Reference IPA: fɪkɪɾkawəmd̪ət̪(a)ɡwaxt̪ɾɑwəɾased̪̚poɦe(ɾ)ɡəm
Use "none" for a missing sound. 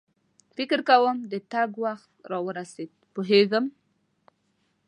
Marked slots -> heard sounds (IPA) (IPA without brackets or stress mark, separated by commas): a, none